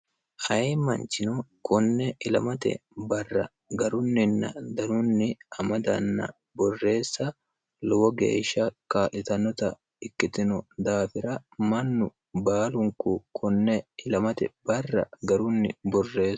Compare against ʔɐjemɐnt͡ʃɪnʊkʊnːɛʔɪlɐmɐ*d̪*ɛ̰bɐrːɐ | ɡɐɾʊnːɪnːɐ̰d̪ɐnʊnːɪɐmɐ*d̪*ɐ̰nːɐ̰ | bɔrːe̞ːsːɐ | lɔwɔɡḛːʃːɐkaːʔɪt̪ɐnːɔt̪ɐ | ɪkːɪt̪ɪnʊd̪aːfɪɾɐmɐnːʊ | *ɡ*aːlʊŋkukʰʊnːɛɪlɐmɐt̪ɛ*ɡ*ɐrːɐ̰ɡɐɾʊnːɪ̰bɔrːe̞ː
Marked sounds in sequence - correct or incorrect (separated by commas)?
incorrect, correct, incorrect, incorrect